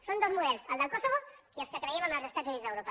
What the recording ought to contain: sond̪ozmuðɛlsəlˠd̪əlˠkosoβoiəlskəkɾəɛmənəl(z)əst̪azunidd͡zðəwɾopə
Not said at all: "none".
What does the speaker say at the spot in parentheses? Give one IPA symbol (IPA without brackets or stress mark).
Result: z